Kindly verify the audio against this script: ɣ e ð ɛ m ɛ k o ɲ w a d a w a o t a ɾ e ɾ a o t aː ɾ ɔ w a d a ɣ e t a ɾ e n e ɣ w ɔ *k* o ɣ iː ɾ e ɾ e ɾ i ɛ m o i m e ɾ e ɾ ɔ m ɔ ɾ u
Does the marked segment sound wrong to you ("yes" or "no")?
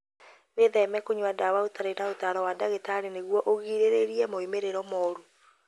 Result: yes